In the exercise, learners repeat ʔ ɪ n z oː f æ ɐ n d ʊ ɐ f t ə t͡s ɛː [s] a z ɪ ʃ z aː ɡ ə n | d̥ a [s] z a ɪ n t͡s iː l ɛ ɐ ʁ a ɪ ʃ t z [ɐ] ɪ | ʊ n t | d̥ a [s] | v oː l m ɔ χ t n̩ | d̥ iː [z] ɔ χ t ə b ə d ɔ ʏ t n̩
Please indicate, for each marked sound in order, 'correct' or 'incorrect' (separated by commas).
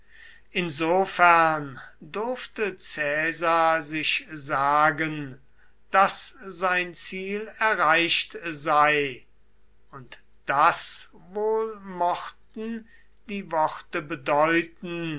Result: incorrect, correct, incorrect, correct, incorrect